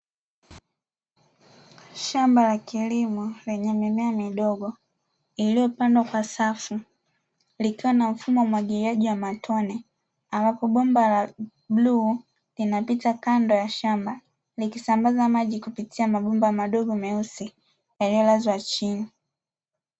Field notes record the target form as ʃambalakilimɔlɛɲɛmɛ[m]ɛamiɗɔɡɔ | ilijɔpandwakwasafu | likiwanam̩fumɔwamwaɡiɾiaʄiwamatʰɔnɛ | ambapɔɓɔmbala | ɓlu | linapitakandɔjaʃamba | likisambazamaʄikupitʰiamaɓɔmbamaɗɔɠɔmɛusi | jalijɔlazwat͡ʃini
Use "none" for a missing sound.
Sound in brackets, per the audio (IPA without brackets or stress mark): m